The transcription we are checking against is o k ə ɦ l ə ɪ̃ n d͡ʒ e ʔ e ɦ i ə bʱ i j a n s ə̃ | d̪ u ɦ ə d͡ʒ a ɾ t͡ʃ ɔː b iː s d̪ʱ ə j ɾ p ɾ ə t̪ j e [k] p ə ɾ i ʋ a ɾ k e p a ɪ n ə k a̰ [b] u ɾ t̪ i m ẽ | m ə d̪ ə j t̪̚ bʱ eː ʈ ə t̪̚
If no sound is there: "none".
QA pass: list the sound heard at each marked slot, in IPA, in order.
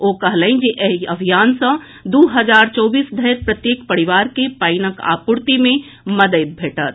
k, p

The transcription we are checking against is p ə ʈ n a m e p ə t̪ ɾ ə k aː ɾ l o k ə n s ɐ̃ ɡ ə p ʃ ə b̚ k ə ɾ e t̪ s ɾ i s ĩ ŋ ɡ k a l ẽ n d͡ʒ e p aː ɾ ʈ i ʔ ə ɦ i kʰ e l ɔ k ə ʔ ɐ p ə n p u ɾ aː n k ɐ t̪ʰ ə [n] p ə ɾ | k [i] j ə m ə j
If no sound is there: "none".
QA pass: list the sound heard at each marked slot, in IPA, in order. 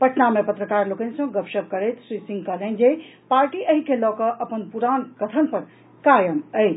n, a

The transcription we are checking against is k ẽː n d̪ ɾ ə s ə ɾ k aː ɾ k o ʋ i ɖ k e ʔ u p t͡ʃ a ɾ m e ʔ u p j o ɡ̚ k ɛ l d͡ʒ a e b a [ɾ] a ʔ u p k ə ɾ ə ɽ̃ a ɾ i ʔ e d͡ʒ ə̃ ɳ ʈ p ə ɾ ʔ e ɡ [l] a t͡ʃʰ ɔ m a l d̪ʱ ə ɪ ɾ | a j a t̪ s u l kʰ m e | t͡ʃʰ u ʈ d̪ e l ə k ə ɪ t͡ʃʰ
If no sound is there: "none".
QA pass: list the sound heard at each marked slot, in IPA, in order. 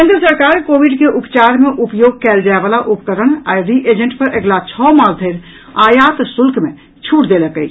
l, l

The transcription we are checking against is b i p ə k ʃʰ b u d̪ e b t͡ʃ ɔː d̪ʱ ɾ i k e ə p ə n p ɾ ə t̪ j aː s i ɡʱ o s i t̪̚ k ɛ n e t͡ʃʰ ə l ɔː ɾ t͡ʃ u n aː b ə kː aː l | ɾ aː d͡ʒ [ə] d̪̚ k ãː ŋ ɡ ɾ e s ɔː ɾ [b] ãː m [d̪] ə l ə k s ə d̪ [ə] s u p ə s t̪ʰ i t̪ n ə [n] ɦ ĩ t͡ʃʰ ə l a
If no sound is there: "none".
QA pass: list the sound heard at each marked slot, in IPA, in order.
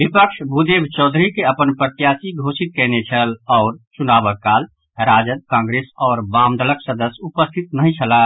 ə, b, d̪, ə, none

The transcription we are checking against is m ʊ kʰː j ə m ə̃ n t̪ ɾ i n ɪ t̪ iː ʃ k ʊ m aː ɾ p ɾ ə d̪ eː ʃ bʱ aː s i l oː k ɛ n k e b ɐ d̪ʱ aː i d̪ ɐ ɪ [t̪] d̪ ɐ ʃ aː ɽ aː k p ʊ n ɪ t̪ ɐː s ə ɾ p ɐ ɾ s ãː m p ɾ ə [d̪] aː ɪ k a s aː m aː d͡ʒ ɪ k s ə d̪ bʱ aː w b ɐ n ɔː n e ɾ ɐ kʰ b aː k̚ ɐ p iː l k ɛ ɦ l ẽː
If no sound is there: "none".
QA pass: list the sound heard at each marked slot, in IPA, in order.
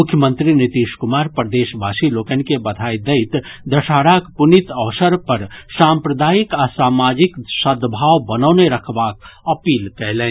t̪, d̪

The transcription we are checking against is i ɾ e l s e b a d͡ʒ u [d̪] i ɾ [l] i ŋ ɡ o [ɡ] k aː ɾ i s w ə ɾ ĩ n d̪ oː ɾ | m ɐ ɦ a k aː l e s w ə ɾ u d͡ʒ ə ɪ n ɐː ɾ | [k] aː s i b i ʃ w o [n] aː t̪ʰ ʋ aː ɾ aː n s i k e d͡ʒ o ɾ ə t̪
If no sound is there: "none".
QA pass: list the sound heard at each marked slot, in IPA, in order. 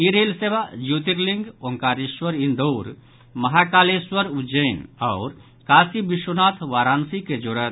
t̪, l, ŋ, k, n

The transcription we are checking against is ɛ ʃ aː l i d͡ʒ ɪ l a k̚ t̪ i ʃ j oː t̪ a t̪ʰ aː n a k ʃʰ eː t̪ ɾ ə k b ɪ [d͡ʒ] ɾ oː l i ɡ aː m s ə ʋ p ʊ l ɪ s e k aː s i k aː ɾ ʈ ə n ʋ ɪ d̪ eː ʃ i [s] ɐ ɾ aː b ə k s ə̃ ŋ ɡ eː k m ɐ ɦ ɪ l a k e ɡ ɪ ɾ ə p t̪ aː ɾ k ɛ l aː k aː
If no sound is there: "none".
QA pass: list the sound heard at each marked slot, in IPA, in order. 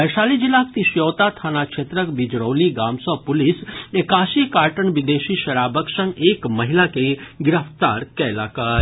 d͡ʒ, ʃ

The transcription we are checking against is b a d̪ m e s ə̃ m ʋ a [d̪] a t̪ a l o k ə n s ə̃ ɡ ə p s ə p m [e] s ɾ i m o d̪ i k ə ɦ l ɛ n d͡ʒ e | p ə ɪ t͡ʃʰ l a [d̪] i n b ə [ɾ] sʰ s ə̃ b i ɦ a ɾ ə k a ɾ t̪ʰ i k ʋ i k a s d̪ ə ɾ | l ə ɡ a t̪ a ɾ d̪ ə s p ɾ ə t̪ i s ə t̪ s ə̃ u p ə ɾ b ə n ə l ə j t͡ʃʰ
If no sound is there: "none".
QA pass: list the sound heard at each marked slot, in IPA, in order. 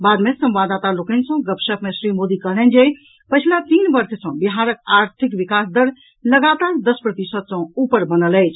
d̪, e, t̪, ɾ

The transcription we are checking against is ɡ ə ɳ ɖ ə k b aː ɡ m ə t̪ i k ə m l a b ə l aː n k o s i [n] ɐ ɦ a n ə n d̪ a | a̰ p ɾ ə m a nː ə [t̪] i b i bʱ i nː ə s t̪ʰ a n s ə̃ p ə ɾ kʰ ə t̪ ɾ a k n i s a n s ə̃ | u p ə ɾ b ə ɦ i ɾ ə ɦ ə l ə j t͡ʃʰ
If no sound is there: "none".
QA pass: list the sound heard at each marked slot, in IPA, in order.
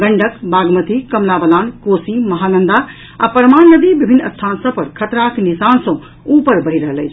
m, d̪

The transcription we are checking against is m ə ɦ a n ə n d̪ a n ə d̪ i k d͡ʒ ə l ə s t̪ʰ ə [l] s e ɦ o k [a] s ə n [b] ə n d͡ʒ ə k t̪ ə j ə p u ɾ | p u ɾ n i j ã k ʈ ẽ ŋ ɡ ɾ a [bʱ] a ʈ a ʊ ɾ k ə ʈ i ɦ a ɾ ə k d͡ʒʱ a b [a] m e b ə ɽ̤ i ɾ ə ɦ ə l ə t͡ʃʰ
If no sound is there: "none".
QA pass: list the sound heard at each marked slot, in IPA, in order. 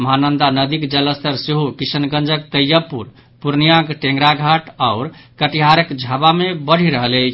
ɾ, i, ɡ, ɡʱ, a

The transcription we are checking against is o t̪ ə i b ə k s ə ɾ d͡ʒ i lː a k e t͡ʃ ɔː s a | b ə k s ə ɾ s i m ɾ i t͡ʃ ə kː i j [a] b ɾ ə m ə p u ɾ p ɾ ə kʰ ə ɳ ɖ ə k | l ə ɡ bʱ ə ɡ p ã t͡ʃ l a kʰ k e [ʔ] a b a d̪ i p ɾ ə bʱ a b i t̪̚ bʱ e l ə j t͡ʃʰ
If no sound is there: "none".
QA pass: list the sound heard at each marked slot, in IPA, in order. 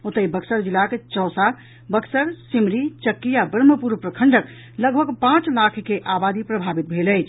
a, ʔ

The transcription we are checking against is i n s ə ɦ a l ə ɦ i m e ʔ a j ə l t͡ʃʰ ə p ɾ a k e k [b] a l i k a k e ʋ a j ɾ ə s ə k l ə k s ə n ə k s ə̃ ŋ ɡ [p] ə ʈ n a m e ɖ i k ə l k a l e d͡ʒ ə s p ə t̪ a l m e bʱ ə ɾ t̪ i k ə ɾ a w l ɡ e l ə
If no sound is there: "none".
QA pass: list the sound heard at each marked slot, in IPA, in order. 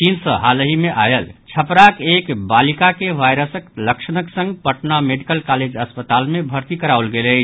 b, p

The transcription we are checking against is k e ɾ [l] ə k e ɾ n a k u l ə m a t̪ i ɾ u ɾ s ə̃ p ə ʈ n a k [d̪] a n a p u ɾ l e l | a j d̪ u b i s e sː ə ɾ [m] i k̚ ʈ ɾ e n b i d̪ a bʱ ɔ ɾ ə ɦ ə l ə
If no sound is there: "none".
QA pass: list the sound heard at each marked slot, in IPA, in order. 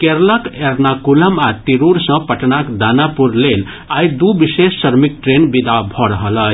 l, d̪, m

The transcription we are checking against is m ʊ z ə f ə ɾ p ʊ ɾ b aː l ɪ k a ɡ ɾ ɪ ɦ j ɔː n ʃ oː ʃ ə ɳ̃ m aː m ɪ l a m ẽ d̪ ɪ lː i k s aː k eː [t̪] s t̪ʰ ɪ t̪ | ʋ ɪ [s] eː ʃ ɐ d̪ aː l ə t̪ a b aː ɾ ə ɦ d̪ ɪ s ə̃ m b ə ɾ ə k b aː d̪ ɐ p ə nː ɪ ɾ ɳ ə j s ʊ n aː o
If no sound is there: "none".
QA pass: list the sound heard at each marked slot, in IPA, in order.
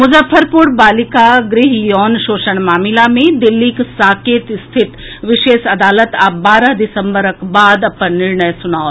t̪, ʃ

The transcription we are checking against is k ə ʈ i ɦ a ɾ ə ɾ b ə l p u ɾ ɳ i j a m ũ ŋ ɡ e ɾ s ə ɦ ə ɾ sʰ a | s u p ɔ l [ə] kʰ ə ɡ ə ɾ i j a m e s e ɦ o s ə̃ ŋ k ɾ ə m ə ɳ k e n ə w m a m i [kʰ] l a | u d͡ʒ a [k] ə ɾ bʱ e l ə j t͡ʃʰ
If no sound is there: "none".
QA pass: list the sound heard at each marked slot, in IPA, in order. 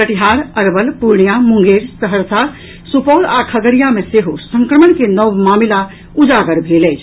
a, none, ɡ

